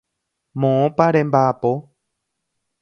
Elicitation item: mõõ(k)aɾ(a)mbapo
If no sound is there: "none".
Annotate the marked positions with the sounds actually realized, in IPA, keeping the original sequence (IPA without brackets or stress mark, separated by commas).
p, e